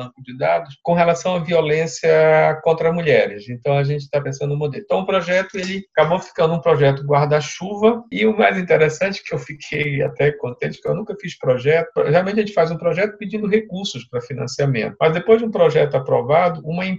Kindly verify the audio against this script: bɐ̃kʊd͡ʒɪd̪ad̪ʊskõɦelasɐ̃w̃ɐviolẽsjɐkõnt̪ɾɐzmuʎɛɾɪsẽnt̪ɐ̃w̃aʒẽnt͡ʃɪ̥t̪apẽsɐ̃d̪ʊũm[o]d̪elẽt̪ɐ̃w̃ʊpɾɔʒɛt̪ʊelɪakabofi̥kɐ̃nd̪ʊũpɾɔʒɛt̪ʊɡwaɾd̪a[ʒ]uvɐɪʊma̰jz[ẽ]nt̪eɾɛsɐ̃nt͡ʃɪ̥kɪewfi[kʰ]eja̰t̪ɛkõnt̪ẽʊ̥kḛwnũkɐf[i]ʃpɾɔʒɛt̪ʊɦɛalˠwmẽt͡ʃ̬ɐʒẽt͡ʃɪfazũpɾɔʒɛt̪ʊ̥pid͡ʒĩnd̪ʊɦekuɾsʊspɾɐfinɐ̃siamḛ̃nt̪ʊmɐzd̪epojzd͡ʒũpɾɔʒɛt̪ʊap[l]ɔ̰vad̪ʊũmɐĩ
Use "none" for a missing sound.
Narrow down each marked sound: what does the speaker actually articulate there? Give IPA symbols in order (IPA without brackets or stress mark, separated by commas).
o, ʃ, ĩ, kʰ, i, ɾ